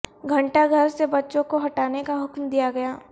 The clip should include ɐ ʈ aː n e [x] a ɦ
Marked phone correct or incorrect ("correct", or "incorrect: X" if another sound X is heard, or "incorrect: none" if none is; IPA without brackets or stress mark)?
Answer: incorrect: k